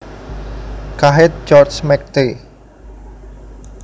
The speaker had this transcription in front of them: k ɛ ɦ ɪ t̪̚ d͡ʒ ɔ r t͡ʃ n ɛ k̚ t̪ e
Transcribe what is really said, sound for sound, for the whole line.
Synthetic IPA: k a ɦ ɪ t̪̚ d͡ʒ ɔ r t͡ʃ m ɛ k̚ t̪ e